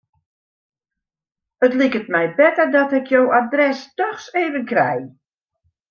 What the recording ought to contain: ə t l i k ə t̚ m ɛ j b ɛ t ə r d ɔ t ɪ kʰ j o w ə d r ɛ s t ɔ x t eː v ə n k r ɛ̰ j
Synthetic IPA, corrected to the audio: ə t l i k ə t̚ m ɛ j b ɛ t ə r d ɔ t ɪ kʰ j o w a d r ɛ s t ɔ x s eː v ə n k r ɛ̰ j